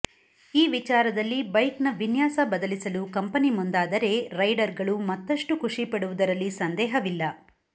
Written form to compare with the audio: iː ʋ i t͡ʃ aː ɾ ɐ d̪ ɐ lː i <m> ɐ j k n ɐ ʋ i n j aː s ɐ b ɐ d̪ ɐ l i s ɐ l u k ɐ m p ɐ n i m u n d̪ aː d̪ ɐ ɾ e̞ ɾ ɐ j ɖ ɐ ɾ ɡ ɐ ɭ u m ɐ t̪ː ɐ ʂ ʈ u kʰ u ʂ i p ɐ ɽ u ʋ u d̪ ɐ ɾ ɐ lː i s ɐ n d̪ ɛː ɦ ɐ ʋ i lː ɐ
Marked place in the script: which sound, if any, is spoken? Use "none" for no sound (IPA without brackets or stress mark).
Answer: b